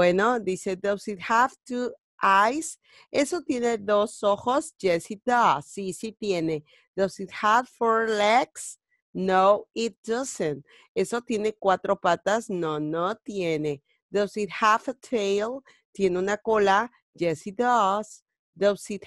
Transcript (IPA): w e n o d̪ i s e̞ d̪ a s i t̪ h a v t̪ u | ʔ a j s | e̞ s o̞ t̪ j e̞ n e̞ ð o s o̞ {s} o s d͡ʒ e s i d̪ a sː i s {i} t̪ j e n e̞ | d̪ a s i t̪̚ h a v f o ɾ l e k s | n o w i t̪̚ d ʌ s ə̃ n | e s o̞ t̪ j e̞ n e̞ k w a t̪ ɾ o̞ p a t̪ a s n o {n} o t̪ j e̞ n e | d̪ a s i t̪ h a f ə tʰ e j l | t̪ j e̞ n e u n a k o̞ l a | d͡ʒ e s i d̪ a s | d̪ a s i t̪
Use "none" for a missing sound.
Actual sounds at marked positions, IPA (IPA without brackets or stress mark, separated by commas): x, i, n